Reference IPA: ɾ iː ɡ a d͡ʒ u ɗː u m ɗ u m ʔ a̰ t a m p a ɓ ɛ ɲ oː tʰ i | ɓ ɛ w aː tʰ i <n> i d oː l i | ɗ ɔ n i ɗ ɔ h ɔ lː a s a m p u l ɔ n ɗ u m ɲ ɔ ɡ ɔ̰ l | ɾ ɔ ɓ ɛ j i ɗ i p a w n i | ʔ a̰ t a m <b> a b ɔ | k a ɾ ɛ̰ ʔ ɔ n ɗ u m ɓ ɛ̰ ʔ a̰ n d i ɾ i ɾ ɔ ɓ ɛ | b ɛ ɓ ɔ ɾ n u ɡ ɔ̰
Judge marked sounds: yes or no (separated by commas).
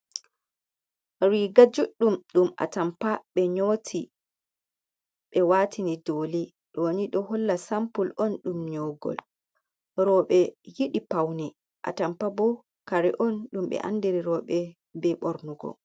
yes, no